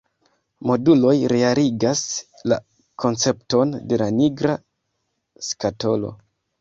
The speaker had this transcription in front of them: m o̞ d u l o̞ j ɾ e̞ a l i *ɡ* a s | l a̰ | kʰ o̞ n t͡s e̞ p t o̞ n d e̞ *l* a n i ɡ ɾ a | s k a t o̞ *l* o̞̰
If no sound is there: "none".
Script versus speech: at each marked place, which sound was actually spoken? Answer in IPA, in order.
ɡ, l, l

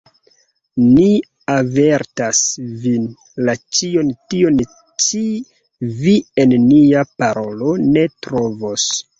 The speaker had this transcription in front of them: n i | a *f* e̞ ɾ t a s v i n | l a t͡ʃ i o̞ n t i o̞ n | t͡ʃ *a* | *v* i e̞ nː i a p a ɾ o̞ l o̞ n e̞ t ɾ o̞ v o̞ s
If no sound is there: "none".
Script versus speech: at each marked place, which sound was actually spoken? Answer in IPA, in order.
v, i, v

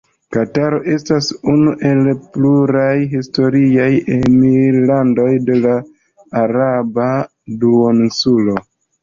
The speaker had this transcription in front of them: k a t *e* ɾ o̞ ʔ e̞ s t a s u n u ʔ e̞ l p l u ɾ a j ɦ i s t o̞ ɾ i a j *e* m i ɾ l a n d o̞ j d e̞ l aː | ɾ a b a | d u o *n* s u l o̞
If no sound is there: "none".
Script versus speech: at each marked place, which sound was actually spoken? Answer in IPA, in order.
a, e, n

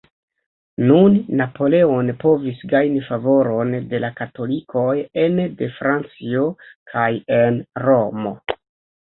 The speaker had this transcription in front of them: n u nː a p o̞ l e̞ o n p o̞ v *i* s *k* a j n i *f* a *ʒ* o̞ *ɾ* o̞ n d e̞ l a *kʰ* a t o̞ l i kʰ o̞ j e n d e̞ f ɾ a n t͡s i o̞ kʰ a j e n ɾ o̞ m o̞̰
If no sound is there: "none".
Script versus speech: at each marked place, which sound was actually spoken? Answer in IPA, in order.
i, ɡ, f, v, ɾ, k

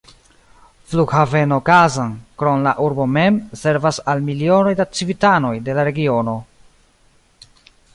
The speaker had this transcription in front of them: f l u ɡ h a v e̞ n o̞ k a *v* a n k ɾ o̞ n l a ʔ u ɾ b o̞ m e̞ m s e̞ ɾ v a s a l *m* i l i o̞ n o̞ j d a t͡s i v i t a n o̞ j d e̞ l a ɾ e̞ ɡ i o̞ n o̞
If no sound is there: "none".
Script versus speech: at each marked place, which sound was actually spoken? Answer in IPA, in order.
z, m

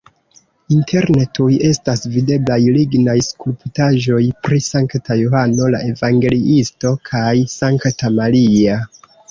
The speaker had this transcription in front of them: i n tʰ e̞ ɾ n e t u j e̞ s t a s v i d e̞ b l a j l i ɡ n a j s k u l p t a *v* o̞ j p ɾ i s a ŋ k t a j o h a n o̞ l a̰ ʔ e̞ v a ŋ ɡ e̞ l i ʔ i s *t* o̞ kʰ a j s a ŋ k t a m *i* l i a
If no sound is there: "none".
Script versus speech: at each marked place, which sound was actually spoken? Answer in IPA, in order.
ʒ, t, a

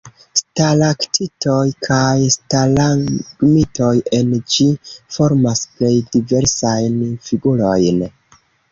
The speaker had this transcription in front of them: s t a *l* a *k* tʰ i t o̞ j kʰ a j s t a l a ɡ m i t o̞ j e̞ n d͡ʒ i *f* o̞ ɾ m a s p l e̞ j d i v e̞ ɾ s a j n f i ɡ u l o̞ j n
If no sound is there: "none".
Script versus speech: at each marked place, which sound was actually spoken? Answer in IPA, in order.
l, k, f

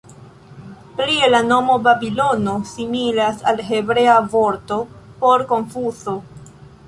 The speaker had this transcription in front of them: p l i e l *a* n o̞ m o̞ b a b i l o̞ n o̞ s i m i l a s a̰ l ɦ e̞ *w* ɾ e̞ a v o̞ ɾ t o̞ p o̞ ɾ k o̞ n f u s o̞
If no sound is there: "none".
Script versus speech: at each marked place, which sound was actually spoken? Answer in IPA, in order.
a, b

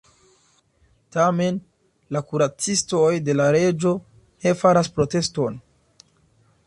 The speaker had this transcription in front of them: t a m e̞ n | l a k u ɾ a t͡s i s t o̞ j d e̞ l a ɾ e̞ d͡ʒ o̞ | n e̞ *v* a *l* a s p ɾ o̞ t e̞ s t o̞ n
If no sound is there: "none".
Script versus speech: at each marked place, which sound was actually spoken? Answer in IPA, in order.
f, ɾ

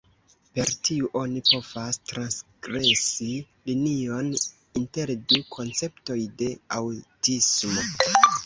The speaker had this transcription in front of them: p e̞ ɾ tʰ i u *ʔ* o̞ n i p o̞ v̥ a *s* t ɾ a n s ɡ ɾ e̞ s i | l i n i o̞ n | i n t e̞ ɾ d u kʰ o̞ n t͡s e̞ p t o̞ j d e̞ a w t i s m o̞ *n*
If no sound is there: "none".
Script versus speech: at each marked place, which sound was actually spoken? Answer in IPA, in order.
ʔ, s, none

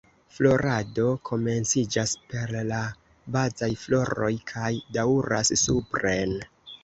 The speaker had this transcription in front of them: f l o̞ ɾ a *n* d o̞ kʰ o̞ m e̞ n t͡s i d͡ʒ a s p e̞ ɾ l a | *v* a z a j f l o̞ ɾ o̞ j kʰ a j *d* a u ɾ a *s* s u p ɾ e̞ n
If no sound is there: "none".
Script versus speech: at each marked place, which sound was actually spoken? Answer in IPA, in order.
none, b, d, s

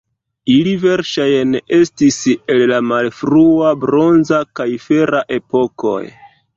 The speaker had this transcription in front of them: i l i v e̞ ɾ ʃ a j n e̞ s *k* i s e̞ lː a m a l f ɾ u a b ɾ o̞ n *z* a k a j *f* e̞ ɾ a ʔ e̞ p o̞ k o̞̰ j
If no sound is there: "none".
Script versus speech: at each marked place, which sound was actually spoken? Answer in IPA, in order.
t, z, f

